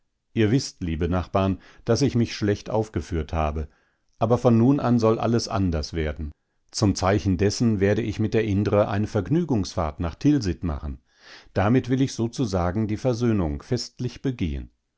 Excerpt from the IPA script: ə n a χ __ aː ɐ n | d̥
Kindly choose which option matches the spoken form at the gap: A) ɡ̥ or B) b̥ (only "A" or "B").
B